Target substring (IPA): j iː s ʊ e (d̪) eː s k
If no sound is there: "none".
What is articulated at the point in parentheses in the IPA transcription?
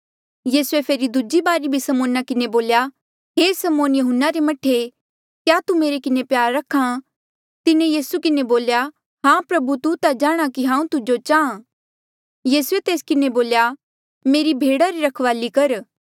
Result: t̪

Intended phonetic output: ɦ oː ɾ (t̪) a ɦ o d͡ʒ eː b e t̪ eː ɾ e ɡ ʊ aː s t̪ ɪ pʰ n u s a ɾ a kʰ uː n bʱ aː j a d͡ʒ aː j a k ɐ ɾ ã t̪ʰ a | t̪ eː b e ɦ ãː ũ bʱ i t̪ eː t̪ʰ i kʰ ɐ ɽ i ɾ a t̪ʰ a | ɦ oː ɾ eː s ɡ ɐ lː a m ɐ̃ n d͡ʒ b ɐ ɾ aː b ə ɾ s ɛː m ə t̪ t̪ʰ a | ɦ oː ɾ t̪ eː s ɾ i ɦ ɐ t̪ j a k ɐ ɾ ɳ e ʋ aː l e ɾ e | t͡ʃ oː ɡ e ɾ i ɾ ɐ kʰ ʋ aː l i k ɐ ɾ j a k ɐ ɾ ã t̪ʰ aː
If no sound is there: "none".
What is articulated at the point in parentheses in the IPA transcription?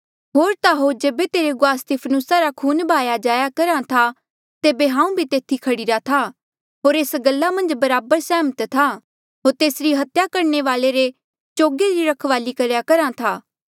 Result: t̪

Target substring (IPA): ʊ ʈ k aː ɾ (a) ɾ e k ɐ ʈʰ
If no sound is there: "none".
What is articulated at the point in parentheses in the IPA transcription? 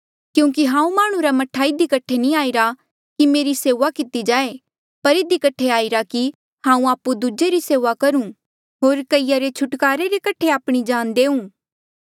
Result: e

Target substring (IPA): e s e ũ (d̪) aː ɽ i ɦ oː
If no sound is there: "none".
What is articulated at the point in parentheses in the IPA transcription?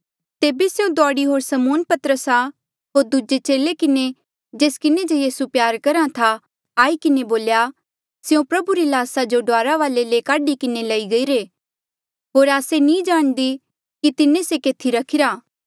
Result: d̪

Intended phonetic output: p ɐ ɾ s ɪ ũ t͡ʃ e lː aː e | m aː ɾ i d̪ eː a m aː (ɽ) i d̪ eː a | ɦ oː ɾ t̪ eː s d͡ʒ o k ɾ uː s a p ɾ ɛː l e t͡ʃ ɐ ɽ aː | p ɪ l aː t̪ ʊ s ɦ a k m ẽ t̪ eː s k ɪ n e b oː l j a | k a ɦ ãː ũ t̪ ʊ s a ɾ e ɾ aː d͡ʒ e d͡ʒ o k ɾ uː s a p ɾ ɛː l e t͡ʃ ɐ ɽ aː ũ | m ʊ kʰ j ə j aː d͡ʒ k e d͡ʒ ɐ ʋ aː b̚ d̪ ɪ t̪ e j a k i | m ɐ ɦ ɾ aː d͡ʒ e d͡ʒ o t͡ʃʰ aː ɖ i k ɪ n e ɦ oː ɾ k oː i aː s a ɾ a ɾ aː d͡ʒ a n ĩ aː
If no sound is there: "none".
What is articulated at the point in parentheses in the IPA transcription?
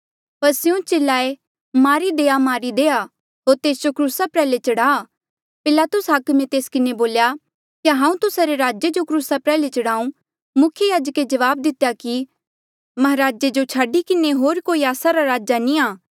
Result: ɾ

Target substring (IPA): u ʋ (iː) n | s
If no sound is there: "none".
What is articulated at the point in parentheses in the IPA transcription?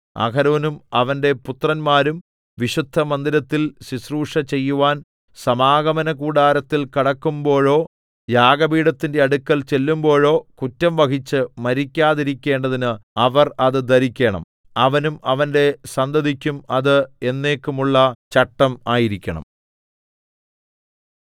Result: aː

